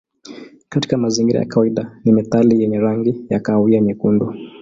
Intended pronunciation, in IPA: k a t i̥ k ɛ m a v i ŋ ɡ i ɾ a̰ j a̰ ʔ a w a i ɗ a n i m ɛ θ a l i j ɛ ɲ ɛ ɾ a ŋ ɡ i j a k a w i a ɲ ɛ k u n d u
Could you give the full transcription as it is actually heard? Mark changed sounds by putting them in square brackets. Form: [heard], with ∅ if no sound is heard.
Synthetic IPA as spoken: k a t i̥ k [a] m a [z] i ŋ ɡ i ɾ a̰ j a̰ [k] a w a i ɗ a n i m ɛ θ a l i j ɛ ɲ ɛ ɾ a ŋ ɡ i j a k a w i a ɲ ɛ k u n d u